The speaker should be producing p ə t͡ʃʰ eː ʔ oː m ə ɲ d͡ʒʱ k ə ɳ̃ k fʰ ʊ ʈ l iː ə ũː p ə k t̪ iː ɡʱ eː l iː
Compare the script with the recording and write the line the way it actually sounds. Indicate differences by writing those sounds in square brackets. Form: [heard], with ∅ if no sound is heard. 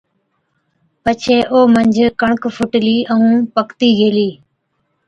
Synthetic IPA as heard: p ə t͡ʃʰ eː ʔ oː m ə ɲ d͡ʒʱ k ə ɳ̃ k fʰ ʊ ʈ l iː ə ũː p ə k t̪ iː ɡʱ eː l iː